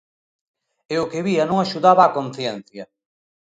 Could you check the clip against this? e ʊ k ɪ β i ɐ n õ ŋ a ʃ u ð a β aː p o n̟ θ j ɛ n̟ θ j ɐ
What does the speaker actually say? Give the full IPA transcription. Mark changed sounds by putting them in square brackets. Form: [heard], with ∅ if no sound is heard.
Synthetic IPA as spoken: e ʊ k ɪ β i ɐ n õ ŋ a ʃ u ð a β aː [k] o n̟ θ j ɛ n̟ θ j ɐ